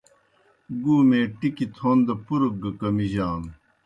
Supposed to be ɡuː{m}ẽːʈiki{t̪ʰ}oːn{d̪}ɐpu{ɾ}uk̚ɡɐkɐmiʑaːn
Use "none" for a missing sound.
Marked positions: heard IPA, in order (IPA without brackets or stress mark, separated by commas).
m, t̪ʰ, d̪, ɾ